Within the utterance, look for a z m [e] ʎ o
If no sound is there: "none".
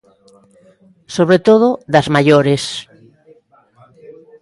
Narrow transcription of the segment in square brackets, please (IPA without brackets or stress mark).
a